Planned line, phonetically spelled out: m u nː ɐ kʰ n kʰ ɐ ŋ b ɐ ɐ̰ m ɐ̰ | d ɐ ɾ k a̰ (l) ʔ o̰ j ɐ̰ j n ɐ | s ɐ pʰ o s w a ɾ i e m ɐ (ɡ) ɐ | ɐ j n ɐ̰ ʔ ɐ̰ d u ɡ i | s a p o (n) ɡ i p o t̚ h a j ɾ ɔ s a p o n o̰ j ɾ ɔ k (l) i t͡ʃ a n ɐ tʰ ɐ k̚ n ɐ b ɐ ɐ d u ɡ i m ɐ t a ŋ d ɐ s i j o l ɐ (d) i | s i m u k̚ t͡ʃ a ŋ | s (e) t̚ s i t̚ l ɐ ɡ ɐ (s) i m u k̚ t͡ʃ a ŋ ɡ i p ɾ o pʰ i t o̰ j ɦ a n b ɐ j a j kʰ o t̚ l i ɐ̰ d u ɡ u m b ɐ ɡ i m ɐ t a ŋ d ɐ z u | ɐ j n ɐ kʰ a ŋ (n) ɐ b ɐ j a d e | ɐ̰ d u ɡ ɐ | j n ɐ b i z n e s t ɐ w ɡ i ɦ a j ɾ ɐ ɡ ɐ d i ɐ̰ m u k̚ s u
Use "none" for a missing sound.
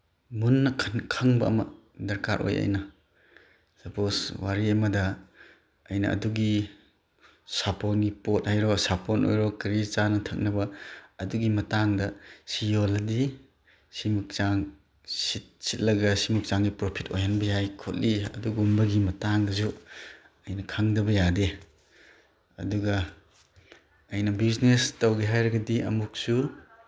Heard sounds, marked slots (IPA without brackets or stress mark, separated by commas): ɾ, d, n, ɾ, d, i, s, d